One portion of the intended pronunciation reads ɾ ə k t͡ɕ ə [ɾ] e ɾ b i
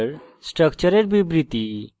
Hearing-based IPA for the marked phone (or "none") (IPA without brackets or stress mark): ɾ